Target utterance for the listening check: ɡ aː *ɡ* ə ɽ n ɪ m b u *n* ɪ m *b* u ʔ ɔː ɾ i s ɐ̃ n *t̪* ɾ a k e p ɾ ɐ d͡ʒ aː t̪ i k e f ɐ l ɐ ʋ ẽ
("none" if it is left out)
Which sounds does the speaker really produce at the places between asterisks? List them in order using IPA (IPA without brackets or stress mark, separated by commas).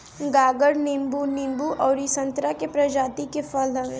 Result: ɡ, n, b, t̪